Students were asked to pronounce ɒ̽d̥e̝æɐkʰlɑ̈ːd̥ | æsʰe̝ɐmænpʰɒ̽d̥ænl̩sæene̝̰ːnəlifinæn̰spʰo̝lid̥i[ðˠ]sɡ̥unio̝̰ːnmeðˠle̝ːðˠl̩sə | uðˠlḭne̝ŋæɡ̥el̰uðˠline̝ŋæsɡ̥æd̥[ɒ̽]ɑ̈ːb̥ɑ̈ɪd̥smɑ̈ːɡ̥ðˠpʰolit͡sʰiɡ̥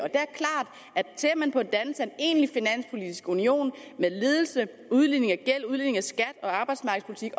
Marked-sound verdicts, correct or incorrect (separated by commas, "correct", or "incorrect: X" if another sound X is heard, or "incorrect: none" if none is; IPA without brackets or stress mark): incorrect: none, correct